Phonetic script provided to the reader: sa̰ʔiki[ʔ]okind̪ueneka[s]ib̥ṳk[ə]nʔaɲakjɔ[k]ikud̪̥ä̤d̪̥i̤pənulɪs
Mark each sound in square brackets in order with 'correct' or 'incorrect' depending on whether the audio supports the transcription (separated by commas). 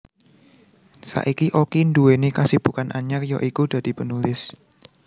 correct, correct, incorrect, incorrect